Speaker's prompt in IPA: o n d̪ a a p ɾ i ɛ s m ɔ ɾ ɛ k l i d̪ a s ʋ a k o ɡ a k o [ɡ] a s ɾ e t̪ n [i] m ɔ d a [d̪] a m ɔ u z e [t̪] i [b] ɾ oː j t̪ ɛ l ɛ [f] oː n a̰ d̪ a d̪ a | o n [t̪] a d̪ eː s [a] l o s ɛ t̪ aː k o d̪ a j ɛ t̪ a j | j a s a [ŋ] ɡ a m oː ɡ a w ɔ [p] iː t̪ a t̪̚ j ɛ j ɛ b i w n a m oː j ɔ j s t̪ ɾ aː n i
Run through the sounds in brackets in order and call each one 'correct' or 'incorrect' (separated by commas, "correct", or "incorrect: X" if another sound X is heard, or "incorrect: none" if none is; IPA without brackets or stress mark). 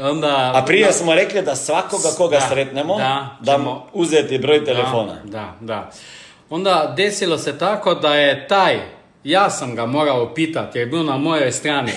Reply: correct, incorrect: ɛ, correct, correct, correct, correct, incorrect: d̪, incorrect: i, incorrect: m, correct